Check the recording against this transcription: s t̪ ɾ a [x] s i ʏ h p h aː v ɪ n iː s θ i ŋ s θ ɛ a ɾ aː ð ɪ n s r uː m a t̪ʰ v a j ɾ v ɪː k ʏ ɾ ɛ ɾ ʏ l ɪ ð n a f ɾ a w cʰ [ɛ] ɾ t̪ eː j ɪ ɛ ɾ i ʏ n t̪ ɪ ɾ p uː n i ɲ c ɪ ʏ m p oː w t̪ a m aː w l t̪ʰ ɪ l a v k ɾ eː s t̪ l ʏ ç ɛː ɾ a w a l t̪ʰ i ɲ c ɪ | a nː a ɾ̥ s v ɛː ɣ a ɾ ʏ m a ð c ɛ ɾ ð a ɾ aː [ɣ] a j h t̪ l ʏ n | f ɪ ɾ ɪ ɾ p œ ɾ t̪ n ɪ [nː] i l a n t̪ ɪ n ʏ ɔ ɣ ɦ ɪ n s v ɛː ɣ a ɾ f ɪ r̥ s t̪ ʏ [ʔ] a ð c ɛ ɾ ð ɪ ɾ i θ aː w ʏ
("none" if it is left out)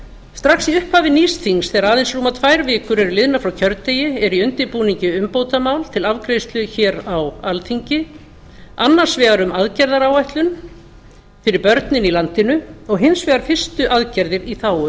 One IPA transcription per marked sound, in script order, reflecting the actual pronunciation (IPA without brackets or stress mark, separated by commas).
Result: x, œ, w, n, ʔ